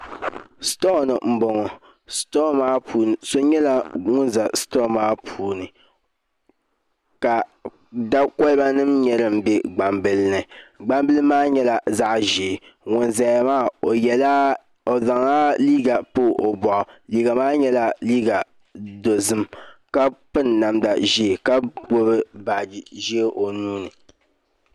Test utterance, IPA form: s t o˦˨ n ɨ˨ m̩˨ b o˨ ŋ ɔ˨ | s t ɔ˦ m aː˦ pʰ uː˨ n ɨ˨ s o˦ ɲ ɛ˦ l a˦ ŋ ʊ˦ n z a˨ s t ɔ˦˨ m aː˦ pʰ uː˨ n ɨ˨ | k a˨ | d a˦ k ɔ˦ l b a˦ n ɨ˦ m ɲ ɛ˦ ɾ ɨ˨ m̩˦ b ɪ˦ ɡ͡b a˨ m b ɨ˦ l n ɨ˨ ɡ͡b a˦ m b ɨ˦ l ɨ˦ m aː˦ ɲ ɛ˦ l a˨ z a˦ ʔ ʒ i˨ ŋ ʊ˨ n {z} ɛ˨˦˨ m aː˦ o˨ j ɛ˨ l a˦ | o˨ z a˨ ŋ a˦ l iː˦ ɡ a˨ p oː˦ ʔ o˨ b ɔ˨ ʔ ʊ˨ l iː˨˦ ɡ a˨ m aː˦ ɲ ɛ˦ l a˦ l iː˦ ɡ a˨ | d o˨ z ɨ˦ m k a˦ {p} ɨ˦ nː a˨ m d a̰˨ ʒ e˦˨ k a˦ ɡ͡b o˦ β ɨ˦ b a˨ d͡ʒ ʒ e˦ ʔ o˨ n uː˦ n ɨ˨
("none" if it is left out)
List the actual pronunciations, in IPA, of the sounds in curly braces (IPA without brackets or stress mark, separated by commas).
z, p